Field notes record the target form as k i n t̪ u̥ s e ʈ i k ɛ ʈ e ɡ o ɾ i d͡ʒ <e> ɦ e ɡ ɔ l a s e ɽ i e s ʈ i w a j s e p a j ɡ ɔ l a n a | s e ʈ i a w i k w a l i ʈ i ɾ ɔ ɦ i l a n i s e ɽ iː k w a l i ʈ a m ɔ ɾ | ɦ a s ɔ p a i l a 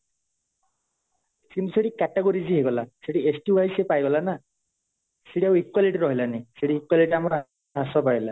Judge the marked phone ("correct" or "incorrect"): incorrect